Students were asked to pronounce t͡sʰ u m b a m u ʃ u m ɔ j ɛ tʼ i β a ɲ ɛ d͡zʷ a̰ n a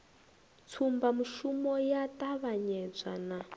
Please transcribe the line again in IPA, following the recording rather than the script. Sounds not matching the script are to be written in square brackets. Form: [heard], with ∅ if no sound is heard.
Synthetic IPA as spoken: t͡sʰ u m b a m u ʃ u m ɔ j [a] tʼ [a] β a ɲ ɛ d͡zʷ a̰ n a